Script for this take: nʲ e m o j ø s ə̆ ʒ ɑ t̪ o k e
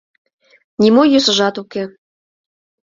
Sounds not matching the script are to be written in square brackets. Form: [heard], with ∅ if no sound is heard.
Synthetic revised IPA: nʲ [i] m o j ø s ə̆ ʒ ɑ t̪ [u] k e